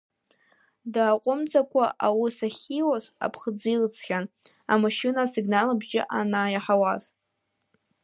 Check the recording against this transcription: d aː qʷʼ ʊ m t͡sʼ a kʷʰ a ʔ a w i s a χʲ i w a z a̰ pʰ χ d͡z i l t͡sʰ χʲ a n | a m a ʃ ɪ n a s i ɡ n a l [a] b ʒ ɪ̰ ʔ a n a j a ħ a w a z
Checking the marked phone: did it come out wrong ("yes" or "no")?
no